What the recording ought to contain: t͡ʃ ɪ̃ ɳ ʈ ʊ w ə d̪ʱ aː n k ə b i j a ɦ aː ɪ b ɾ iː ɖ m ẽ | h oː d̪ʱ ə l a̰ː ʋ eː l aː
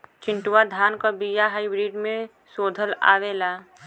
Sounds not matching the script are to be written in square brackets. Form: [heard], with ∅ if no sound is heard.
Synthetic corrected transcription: t͡ʃ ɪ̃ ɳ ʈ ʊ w [a] d̪ʱ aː n k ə b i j a ɦ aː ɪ b ɾ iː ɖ m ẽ | [s] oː d̪ʱ ə l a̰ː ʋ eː l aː